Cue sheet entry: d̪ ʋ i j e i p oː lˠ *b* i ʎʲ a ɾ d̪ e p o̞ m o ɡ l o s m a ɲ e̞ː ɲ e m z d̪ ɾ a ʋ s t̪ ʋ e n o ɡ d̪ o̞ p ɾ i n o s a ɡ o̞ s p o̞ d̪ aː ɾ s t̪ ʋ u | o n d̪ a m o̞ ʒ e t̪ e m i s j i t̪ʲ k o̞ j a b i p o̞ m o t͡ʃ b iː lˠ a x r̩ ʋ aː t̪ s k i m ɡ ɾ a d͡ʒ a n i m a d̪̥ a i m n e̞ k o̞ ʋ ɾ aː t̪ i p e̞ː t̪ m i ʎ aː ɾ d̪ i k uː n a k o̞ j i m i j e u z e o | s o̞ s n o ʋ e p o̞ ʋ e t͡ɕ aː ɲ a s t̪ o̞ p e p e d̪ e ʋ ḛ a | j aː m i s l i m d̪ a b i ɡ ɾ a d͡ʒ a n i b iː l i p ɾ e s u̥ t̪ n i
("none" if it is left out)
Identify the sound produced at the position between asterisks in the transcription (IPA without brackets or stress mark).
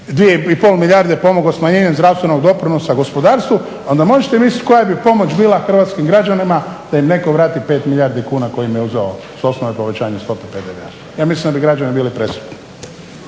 m